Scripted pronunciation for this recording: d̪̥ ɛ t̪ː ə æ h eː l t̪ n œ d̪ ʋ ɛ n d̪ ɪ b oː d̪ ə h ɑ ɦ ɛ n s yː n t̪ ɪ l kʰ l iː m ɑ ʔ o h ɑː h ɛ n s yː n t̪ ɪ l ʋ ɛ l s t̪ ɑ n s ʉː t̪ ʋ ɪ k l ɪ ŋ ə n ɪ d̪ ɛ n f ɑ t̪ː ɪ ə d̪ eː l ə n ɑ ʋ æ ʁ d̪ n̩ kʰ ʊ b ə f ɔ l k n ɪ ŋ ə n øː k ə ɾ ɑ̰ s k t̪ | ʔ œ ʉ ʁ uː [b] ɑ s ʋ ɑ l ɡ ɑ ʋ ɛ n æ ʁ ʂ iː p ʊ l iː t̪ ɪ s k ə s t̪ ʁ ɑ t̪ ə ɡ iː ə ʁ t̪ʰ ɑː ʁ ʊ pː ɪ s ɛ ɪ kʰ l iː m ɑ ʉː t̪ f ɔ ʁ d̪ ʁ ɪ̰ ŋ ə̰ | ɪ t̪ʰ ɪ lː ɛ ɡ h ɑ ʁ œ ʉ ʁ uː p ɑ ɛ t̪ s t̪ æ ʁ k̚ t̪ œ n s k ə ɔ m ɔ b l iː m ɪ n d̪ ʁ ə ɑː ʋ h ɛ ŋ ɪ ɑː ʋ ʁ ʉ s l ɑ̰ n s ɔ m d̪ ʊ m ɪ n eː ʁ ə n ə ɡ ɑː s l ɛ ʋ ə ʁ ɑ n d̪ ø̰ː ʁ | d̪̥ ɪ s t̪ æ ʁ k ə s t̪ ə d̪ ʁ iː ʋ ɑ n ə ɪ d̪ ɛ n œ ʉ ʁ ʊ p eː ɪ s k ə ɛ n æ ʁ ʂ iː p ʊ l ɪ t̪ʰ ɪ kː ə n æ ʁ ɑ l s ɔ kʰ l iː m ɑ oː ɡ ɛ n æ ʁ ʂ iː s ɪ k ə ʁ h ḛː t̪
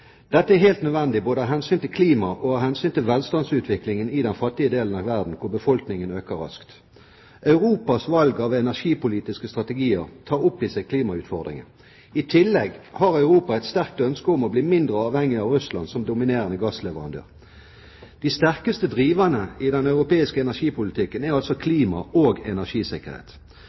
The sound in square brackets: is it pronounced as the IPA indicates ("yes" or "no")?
no